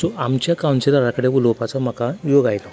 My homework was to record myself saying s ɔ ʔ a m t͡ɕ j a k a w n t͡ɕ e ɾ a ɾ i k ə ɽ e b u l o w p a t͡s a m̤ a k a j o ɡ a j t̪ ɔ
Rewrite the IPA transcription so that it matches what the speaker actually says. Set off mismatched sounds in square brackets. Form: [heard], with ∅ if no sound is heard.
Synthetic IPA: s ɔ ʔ a m t͡ɕ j a k a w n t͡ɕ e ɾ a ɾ [a] k ə ɽ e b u l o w p a t͡s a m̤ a k a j o ɡ a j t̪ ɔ